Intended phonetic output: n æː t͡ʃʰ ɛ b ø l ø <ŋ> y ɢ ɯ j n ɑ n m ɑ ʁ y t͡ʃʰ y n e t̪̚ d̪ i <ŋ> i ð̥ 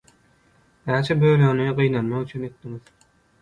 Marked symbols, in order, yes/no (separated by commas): no, yes